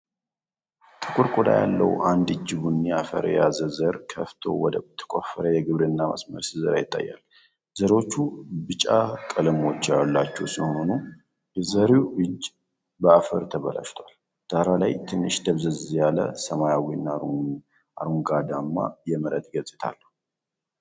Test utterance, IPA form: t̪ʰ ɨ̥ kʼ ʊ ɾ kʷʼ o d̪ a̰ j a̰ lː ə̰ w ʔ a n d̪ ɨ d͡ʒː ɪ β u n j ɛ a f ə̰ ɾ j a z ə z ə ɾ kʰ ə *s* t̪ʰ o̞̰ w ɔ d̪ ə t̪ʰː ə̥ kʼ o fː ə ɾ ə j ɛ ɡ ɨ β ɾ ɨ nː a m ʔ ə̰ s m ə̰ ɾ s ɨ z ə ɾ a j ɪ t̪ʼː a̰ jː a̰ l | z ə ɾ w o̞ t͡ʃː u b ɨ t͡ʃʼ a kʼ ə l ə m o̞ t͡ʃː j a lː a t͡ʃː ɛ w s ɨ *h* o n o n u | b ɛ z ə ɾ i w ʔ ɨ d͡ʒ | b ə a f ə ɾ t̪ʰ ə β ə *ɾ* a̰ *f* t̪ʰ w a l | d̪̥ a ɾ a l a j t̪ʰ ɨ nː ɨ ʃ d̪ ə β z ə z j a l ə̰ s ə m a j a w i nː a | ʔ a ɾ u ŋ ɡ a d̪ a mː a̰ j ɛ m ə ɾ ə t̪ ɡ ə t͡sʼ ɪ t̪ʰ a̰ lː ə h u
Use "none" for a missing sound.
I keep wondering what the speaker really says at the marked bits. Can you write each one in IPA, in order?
f, h, l, ʃ

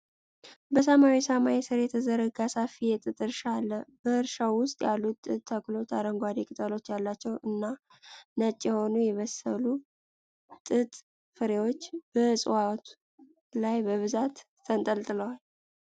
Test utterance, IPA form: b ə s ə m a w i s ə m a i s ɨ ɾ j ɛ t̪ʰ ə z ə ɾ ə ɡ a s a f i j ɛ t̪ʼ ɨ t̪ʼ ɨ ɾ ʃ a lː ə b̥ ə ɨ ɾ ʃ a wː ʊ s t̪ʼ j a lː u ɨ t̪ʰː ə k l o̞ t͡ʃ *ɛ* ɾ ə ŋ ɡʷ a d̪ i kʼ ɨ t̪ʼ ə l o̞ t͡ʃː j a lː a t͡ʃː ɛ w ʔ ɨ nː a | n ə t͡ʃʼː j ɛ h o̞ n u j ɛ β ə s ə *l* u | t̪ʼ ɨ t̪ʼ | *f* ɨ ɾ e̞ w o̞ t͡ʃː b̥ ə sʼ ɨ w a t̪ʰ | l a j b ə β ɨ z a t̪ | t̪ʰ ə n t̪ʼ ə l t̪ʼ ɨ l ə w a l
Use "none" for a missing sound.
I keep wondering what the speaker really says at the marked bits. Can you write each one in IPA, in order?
a, l, f

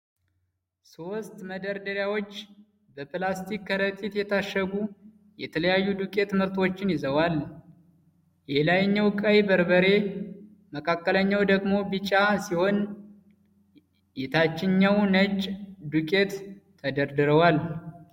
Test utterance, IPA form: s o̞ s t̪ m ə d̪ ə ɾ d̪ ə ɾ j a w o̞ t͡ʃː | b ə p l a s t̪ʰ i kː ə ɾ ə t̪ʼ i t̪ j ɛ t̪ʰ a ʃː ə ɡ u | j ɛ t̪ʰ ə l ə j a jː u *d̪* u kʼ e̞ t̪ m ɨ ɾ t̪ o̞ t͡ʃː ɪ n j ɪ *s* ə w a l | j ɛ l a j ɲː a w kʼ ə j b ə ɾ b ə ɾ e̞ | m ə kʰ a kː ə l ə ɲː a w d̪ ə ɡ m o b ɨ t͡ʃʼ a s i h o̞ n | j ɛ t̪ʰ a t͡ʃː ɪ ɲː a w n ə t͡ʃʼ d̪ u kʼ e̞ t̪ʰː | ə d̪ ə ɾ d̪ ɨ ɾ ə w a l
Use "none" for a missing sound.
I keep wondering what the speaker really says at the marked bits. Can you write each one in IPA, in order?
d̪, z

